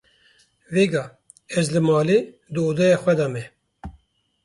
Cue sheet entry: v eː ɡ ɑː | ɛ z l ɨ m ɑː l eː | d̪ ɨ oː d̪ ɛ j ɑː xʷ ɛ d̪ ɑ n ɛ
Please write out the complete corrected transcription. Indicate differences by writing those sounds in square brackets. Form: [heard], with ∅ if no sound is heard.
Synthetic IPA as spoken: v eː ɡ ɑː | ɛ z l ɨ m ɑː l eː | d̪ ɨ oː d̪ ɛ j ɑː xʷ ɛ d̪ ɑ [m] ɛ